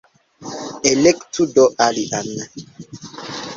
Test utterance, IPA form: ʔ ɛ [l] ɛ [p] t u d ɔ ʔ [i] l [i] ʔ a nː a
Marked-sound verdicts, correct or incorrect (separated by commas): correct, incorrect, incorrect, correct